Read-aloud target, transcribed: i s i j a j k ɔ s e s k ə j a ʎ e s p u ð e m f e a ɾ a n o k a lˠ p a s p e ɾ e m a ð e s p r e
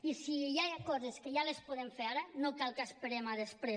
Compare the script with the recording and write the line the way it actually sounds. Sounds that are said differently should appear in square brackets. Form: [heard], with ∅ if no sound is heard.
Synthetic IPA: i s i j a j k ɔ [z] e s k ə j a [l] e s p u ð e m f e a ɾ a n o k a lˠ [k] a s p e ɾ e m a ð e s p [ɾ] e